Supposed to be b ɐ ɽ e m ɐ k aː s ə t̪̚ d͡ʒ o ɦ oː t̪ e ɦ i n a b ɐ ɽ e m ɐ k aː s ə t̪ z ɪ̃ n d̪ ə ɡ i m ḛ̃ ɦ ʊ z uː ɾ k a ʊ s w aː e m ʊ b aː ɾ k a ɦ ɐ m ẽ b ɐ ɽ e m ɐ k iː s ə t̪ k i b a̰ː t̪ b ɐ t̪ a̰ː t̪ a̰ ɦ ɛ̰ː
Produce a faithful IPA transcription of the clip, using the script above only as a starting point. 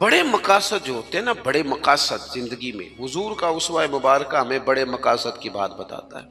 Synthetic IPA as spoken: b ɐ ɽ e m ɐ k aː s ə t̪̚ d͡ʒ o ɦ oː t̪ e ɦ ɛ n a b ɐ ɽ e m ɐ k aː s ə t̪ z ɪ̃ n d̪ ə ɡ i m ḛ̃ ɦ ʊ z uː ɾ k a ʊ s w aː e m ʊ b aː ɾ k a ɦ ɐ m ẽ b ɐ ɽ e m ɐ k aː s ə t̪ k i b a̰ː t̪ b ɐ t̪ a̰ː t̪ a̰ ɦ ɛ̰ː

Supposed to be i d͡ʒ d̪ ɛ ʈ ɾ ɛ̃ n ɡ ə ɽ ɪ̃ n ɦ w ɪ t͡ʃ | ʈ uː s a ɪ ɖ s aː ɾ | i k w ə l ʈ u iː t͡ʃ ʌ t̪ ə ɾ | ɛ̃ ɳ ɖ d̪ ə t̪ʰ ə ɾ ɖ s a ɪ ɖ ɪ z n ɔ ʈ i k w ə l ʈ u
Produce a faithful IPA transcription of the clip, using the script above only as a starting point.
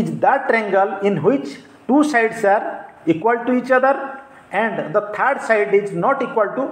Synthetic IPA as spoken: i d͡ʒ d̪ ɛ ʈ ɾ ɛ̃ ŋ ɡ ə l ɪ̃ n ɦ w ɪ t͡ʃ | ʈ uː s a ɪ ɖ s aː ɾ | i k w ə l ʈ u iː t͡ʃ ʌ d̪ ə ɾ | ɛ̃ ɳ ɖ d̪ ə t̪ʰ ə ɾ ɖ s a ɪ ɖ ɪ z n ɔ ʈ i k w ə l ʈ u

